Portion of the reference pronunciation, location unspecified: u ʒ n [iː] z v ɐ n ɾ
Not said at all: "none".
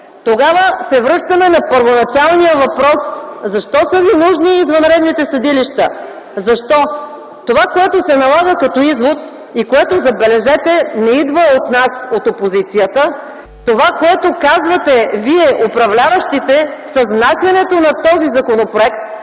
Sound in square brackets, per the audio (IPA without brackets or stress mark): iː